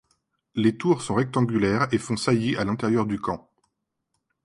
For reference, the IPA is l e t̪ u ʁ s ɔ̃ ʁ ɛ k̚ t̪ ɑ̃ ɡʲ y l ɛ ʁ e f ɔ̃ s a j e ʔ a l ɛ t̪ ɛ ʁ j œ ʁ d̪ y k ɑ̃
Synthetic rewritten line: l e t̪ u ʁ s ɔ̃ ʁ ɛ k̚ t̪ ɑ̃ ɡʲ y l ɛ ʁ e f ɔ̃ s a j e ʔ a l ɛ̃ t̪ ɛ ʁ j œ ʁ d̪ y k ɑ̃